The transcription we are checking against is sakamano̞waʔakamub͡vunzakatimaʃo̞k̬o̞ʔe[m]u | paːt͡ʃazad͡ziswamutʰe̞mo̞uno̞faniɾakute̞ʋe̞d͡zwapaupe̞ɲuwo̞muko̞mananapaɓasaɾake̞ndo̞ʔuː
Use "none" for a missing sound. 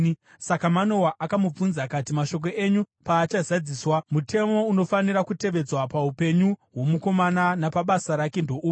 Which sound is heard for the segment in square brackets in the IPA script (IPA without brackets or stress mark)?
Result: ɲ